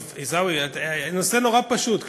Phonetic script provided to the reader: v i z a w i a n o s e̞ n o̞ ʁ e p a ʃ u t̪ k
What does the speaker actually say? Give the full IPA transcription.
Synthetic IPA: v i z a w i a n o s e̞ n o̞ ʁ a p a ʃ u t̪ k